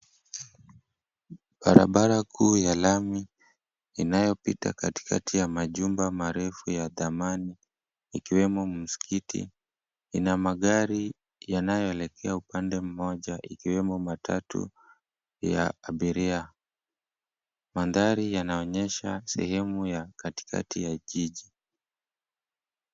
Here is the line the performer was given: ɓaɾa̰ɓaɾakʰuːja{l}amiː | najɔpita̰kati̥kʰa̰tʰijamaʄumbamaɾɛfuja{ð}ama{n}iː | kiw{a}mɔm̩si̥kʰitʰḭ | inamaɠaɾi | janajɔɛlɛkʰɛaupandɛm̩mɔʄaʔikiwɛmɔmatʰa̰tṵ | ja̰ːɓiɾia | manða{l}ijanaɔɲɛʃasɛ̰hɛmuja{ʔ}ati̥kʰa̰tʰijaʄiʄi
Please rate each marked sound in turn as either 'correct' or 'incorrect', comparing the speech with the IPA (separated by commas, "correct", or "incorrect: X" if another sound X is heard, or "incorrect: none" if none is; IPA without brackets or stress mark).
correct, correct, correct, incorrect: ɛ, incorrect: ɾ, incorrect: k